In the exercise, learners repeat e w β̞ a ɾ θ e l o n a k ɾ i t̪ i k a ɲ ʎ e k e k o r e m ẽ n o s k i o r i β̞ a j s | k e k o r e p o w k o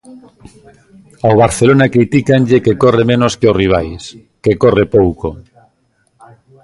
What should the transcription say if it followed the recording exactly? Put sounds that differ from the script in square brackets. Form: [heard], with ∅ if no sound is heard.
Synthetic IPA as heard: [a] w β̞ a ɾ θ e l o n a k ɾ i t̪ i k a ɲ ʎ e k e k o r e m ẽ n o s k [e] o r i β̞ a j s | k e k o r e p o w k o

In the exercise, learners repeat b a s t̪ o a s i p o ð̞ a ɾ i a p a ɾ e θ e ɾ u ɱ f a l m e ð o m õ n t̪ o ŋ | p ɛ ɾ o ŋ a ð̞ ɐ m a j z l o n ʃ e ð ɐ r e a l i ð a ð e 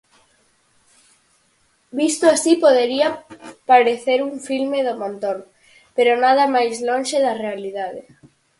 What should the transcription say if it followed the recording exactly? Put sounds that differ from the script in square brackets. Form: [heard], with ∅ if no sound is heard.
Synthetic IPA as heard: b [i] s t̪ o a s i p o ð̞ [e] ɾ i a p a ɾ e θ e ɾ u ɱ f [i] l m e ð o m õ n t̪ o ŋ | p [e] ɾ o [n] a ð̞ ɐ m a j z l o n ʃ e ð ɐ r e a l i ð a ð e

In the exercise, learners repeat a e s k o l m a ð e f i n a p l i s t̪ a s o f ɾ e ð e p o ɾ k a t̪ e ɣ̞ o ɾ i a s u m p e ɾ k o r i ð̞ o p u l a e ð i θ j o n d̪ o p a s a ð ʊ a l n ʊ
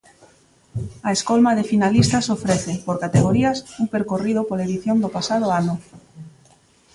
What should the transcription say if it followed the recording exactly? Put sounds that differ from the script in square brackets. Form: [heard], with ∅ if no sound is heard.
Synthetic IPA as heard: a e s k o l m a ð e f i n a [∅] l i s t̪ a s o f ɾ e [θ] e p o ɾ k a t̪ e ɣ̞ o ɾ i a s u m p e ɾ k o r i ð̞ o p [o] l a e ð i θ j o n d̪ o p a s a ð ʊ a [∅] n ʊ

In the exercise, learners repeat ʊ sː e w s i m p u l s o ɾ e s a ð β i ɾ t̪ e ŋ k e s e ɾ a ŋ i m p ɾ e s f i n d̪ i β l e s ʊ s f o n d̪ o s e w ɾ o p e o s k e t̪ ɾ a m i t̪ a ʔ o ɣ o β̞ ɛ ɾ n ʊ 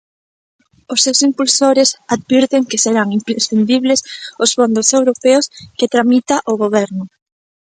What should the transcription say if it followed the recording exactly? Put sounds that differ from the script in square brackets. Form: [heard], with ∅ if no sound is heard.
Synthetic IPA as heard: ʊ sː e w s i m p u l s o ɾ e s a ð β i ɾ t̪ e ŋ k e s e ɾ a ŋ i m p ɾ e s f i n d̪ i β l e s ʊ s f o n d̪ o s e w ɾ o p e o s k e t̪ ɾ a m i t̪ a ʔ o ɣ o β̞ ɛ ɾ n ʊ

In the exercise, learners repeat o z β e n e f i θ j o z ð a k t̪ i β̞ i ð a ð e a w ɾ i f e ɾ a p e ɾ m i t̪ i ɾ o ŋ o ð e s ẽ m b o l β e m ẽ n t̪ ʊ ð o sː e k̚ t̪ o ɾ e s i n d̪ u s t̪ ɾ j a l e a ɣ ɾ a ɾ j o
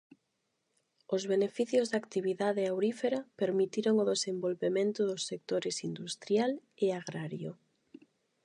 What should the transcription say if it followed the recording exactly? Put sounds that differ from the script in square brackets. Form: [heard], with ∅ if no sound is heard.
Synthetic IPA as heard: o z β e n e f i θ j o z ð a k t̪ i β̞ i ð a ð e a w ɾ i f e ɾ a p e ɾ m i t̪ i ɾ o ŋ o ð e s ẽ m b o l β e m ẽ n t̪ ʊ ð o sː e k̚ t̪ o ɾ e s i n d̪ u s t̪ ɾ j a l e a ɣ ɾ a ɾ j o

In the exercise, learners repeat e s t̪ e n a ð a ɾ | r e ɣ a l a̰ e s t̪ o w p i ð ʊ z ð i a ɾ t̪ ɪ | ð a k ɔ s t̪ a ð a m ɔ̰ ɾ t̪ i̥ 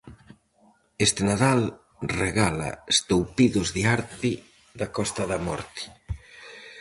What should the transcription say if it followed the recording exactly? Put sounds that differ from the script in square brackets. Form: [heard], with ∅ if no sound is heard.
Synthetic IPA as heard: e s t̪ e n a ð a [l] | r e ɣ a l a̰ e s t̪ o w p i ð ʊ z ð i a ɾ t̪ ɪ | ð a k ɔ s t̪ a ð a m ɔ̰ ɾ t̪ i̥

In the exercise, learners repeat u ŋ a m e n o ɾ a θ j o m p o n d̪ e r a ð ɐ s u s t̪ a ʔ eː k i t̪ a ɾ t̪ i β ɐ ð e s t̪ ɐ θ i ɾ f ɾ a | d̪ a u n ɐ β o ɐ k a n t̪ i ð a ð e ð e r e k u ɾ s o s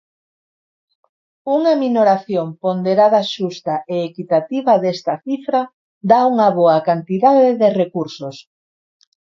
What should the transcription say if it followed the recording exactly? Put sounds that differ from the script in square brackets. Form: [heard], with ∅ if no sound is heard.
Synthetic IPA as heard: u ŋ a m [i] n o ɾ a θ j o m p o n d̪ e [ɾ] a ð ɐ [ʃ] u s t̪ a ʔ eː k i t̪ a [∅] t̪ i β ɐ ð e s t̪ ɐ θ i [∅] f ɾ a | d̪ a u [ŋ] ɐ β o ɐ k a n t̪ i ð a ð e ð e r e k u ɾ s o s

